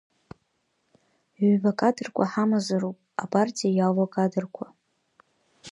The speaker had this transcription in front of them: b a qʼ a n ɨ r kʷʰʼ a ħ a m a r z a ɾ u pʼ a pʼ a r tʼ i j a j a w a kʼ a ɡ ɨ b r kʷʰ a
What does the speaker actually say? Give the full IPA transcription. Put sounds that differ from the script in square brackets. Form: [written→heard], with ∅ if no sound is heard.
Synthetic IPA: b a [qʼ→kʼ] a [n→d] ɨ r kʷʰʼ a ħ a m a [r→∅] z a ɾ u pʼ a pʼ a r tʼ i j a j a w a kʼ a [ɡ→d] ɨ [b→∅] r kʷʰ a